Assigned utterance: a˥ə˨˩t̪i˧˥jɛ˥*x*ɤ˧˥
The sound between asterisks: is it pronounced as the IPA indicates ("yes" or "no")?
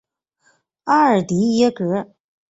no